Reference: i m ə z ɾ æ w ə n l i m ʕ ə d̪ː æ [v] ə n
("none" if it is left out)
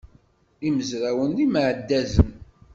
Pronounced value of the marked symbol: z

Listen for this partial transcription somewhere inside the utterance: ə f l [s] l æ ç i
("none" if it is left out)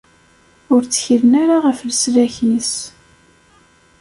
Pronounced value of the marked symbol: s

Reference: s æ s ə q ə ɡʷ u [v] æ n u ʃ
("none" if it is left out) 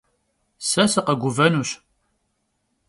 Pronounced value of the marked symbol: v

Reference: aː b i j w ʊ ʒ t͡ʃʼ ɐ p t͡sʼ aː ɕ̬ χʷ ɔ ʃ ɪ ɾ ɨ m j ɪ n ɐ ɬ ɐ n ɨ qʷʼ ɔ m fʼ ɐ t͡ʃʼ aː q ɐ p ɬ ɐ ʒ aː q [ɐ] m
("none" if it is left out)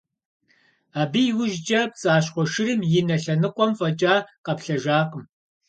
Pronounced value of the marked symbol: ə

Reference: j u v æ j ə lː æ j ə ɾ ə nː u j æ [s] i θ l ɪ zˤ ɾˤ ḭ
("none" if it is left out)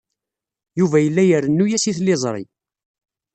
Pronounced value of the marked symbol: s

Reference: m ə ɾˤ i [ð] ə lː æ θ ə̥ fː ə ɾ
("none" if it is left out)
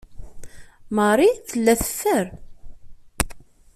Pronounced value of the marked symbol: θ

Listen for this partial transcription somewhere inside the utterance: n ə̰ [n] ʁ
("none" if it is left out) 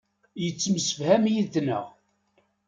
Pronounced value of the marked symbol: none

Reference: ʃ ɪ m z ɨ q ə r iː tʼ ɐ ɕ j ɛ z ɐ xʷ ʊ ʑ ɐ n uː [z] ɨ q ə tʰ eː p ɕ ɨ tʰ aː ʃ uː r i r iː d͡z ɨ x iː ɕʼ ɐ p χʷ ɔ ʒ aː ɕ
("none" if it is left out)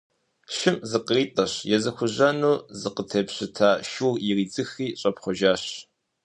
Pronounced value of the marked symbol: z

